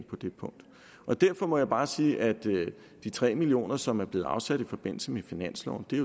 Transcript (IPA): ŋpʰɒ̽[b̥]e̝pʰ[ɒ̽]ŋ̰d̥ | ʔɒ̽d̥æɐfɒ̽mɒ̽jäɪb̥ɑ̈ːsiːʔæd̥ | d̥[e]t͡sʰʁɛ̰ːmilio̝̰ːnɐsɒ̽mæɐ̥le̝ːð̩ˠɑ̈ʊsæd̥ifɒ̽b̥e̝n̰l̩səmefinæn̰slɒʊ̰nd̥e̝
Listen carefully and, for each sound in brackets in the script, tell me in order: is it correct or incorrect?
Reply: incorrect, incorrect, incorrect

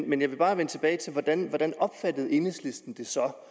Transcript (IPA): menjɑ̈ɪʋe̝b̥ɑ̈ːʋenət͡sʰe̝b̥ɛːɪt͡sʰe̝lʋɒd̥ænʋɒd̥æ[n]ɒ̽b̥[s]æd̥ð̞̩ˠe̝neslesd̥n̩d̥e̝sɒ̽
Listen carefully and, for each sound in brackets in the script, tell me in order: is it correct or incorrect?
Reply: correct, incorrect

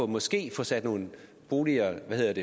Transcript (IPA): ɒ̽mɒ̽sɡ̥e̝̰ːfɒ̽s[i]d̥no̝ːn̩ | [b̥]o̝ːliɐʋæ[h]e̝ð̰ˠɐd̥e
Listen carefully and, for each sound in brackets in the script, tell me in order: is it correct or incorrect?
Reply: incorrect, correct, correct

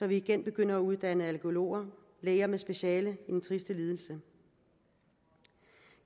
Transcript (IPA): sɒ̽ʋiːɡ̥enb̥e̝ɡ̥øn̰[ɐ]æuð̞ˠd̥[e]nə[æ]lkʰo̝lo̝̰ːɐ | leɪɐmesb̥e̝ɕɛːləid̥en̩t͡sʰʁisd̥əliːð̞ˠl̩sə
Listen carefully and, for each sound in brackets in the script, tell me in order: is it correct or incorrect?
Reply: correct, incorrect, correct

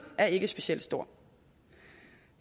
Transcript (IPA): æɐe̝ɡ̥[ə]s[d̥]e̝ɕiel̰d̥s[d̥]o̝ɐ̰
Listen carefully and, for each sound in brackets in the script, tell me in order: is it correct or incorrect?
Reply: correct, incorrect, correct

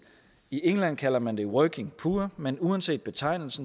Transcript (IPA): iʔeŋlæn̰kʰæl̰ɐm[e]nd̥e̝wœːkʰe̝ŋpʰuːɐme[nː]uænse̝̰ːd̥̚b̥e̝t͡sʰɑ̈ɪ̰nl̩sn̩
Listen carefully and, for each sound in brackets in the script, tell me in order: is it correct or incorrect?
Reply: incorrect, incorrect

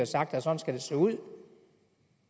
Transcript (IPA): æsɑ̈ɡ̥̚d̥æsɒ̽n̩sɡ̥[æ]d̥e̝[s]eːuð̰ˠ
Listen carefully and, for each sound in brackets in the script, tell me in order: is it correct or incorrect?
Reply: correct, correct

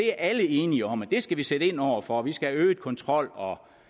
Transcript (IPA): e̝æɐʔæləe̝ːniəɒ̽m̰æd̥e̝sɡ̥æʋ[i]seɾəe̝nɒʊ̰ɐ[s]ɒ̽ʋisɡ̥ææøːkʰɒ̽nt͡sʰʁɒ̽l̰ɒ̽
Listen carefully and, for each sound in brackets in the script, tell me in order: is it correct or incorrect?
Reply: correct, incorrect

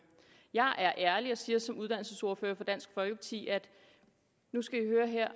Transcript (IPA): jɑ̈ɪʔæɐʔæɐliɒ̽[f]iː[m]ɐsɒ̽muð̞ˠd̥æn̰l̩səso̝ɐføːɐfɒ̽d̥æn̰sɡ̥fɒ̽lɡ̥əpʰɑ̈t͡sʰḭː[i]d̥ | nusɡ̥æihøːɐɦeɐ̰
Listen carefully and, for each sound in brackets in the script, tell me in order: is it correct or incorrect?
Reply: incorrect, incorrect, incorrect

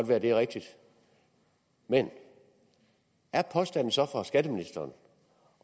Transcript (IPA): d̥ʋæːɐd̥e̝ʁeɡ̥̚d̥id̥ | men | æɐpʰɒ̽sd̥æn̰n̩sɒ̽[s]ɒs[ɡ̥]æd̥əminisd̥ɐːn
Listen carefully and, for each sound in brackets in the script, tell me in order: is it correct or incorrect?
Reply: incorrect, correct

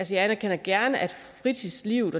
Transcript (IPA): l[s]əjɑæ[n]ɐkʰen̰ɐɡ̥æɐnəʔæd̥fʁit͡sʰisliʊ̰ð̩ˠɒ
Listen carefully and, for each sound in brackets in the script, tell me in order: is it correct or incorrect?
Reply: correct, correct

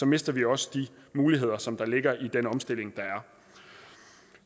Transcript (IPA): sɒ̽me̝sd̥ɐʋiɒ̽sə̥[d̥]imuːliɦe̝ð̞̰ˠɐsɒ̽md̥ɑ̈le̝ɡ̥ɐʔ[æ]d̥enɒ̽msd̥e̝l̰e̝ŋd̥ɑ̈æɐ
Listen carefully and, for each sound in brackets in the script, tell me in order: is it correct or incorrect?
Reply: correct, incorrect

